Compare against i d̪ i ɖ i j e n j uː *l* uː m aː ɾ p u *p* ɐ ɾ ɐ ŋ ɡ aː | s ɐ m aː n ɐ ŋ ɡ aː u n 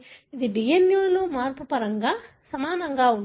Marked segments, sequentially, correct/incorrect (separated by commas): correct, correct